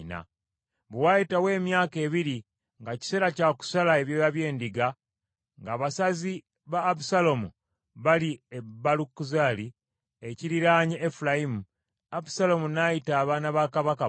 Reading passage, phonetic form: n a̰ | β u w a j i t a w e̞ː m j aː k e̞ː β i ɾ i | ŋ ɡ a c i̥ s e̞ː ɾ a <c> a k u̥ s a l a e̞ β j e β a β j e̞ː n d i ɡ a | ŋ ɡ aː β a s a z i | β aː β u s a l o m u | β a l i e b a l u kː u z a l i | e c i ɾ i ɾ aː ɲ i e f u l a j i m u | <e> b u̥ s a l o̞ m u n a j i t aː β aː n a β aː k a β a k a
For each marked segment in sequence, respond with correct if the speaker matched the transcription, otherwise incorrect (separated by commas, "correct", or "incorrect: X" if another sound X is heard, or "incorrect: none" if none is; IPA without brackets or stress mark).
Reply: correct, incorrect: a